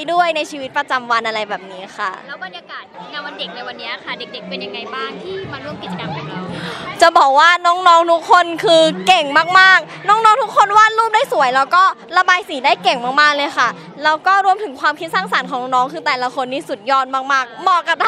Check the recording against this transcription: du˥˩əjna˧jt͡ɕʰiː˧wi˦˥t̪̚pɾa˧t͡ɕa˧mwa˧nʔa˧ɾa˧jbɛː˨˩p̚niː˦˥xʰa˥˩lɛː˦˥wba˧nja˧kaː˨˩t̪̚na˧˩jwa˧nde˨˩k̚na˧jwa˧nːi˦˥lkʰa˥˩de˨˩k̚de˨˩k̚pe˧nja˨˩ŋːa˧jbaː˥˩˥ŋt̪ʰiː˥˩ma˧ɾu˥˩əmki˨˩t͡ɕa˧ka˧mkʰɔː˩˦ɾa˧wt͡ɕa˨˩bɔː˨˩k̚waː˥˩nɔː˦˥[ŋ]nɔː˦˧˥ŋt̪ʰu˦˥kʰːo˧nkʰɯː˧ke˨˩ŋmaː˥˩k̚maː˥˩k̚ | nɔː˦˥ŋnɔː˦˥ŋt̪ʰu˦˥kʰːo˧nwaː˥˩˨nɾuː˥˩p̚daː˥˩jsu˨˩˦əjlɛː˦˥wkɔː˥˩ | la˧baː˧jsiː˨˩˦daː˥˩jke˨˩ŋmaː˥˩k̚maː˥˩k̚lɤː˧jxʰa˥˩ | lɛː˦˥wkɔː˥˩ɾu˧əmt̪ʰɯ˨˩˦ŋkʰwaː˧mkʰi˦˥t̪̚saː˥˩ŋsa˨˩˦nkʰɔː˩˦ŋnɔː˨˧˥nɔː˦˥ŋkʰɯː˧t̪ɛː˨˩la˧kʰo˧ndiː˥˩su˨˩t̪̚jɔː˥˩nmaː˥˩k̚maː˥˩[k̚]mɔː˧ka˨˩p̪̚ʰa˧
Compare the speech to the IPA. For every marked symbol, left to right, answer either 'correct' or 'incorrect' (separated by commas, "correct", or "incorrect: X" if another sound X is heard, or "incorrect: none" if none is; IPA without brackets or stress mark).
correct, correct